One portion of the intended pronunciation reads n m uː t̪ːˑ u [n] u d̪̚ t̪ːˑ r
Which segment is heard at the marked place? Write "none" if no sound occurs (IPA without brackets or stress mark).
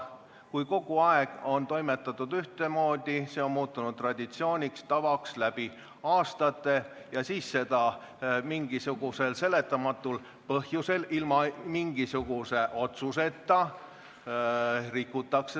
n